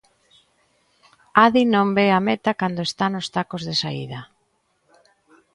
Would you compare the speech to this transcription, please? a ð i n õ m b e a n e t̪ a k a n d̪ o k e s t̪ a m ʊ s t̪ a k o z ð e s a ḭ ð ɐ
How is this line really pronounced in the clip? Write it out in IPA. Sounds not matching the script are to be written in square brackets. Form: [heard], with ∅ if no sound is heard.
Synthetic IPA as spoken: a ð i n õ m b e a [m] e t̪ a k a n d̪ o [∅] e s t̪ a [n] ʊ s t̪ a k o z ð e s a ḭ ð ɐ